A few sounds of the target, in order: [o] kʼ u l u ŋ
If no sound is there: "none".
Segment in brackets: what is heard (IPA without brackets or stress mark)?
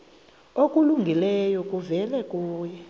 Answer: o